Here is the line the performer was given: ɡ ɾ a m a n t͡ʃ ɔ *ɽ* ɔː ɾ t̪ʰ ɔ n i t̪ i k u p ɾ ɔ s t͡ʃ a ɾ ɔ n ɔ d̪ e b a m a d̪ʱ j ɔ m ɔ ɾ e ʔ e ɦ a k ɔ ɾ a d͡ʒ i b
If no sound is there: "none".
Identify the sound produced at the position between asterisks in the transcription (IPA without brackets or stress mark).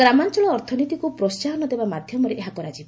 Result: ɭ